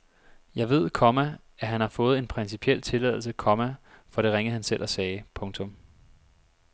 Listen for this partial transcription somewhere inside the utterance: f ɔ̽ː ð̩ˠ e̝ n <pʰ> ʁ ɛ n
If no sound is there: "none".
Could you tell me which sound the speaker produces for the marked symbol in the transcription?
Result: pʰ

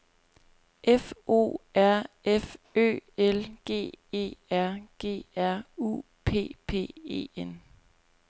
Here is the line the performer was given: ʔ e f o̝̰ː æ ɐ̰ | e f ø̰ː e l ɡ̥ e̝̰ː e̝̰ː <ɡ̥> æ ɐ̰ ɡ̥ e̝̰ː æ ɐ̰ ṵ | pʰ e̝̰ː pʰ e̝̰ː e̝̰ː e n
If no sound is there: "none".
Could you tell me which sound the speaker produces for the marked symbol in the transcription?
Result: none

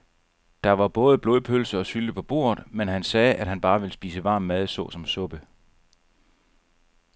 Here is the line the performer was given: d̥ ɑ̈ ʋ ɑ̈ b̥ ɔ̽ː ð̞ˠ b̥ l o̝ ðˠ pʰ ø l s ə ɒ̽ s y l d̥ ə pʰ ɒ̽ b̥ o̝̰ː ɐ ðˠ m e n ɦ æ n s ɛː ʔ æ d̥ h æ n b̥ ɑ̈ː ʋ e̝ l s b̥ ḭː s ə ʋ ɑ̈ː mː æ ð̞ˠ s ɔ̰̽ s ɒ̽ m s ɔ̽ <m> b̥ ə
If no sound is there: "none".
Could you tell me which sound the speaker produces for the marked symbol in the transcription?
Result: none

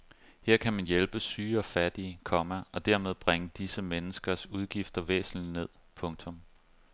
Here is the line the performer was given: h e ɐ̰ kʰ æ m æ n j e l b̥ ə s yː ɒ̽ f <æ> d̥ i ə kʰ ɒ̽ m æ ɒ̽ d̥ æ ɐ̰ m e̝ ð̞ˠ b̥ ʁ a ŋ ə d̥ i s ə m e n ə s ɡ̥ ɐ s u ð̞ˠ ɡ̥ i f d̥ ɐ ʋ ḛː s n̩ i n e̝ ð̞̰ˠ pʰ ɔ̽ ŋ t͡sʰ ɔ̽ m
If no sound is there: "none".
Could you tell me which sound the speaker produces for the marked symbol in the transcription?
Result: æ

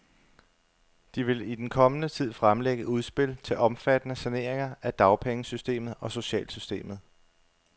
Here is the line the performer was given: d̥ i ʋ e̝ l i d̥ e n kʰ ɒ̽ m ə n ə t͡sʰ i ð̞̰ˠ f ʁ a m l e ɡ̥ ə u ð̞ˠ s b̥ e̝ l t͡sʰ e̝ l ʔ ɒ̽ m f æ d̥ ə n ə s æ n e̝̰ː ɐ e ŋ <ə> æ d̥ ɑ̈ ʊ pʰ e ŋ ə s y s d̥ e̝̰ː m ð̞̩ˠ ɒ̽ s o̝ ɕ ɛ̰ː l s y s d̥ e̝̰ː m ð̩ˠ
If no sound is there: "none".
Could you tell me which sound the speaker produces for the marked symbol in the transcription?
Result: ɐ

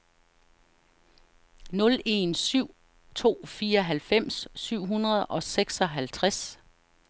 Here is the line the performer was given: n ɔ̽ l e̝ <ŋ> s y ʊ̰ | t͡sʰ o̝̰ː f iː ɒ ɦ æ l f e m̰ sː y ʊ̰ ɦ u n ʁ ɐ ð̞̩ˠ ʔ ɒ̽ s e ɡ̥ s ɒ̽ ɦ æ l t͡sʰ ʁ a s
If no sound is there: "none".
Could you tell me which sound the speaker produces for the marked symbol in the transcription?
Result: n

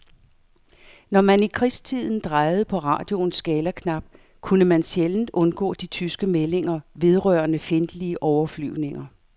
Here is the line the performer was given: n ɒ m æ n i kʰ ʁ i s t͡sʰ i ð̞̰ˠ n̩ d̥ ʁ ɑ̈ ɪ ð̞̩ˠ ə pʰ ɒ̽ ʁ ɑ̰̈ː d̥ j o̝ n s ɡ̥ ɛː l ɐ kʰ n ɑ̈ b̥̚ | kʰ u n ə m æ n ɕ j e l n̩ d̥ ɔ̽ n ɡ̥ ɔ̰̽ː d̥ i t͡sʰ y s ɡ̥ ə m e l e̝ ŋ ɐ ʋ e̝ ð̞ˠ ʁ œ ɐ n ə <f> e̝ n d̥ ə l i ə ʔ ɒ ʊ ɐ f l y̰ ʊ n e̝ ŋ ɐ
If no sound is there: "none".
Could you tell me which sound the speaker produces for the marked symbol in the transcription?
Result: f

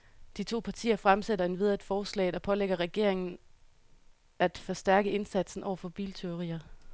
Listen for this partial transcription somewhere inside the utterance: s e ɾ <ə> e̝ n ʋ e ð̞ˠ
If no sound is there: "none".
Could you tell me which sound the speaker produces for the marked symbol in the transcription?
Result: ɐ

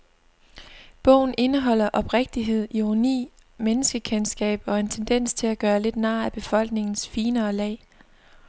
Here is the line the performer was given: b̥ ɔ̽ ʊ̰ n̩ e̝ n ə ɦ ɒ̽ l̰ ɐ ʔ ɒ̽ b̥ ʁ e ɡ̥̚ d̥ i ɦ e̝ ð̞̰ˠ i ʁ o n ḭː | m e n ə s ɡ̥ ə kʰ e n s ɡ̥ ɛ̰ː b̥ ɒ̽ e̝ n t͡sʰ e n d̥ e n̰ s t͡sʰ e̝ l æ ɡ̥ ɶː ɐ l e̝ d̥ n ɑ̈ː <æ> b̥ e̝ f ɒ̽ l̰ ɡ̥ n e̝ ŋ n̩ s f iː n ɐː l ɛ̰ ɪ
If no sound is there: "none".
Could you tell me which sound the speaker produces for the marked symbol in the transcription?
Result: æ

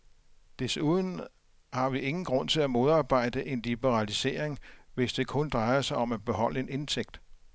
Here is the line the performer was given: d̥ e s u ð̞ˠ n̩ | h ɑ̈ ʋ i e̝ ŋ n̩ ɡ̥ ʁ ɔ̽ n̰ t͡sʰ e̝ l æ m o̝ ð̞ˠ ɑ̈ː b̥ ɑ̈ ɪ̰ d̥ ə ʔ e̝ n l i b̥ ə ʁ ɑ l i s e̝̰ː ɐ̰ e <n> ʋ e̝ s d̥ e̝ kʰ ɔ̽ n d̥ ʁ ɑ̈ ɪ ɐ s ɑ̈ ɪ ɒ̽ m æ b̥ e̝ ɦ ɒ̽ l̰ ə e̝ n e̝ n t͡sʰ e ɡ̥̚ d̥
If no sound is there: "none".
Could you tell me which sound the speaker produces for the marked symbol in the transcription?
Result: ŋ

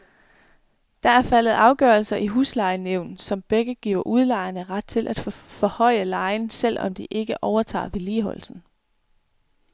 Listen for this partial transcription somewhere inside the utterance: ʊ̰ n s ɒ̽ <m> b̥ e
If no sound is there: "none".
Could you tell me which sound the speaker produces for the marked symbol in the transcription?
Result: m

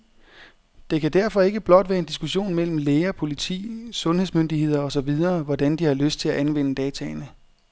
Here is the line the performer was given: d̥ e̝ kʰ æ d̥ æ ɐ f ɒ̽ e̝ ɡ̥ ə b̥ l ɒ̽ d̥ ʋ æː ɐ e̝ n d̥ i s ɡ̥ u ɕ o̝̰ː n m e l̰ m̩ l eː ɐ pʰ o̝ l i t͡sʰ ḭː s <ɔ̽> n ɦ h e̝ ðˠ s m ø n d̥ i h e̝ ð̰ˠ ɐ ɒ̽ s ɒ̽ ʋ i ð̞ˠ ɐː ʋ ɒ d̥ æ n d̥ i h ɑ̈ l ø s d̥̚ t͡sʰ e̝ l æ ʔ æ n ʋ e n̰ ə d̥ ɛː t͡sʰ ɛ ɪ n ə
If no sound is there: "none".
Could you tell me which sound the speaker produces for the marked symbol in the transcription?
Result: ɔ̽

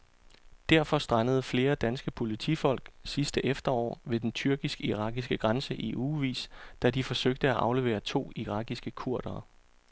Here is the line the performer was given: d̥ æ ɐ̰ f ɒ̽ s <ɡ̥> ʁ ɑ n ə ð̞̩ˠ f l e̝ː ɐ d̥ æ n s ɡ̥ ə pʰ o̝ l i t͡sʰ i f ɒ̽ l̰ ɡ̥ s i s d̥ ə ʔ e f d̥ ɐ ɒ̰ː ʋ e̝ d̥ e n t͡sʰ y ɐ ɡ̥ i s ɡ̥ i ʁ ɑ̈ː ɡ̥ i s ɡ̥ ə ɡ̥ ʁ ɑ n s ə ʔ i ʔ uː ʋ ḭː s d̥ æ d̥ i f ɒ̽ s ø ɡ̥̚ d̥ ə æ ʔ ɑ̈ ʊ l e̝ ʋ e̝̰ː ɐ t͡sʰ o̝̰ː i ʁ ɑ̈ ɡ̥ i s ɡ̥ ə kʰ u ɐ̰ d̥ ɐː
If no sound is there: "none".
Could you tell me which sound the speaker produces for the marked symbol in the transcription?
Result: d̥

